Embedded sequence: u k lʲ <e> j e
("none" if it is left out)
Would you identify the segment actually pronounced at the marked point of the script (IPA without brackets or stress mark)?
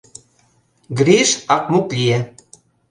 i